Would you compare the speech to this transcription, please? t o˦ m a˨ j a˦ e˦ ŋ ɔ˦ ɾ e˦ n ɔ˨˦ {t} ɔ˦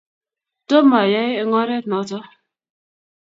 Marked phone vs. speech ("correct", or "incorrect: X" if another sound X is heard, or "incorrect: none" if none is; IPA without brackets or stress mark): correct